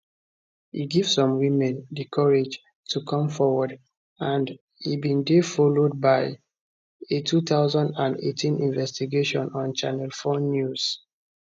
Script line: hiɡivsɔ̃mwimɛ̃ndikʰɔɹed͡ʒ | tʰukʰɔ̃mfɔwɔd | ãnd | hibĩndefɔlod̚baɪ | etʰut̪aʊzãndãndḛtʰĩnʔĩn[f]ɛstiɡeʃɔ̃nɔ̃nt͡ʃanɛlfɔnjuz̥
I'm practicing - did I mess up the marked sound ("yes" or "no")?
yes